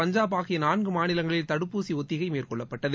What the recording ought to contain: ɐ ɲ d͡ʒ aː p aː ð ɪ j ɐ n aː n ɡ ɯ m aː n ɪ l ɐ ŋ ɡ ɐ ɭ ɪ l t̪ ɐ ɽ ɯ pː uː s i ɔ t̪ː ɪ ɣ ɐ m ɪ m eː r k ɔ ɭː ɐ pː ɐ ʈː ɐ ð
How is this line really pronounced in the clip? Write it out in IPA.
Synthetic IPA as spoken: ɐ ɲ d͡ʒ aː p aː ɣ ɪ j ɐ n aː n ɡ ɯ m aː n ɪ l ɐ ŋ ɡ ɐ ɭ ɪ l t̪ ɐ ɽ ɯ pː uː s i ɔ t̪ː ɪ ɣ ɐ ɪ m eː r k ɔ ɭː ɐ pː ɐ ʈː ɐ ð